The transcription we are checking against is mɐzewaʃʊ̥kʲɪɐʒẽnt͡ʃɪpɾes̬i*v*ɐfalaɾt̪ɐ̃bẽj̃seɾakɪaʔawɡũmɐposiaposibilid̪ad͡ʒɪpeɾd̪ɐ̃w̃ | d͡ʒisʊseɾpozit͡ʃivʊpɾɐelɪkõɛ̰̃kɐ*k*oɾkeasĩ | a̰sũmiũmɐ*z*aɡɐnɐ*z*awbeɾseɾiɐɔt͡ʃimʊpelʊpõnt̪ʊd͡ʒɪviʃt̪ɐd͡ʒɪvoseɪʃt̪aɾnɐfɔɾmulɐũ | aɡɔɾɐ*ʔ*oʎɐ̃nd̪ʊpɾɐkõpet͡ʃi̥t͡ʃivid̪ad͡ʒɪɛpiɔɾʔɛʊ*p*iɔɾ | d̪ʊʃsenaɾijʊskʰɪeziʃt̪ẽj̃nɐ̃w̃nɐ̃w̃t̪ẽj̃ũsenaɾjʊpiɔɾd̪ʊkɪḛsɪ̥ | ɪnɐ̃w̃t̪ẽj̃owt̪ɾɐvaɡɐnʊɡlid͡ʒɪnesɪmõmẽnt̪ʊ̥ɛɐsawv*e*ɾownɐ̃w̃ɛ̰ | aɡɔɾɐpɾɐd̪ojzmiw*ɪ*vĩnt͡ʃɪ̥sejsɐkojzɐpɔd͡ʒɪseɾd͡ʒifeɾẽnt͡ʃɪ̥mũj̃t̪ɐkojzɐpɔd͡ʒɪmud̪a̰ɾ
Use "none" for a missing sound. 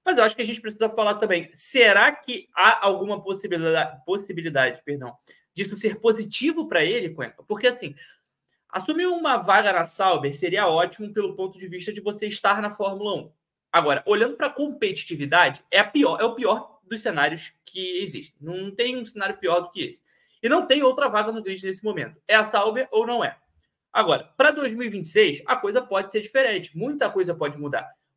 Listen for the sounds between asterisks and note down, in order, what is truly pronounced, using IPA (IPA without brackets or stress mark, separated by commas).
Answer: z, p, v, s, ʔ, p, e, i